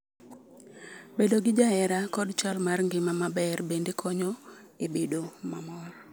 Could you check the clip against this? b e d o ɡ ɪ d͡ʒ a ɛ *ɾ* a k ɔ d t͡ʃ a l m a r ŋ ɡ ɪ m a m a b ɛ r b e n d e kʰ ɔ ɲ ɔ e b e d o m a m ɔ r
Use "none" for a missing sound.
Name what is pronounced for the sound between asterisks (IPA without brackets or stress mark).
ɾ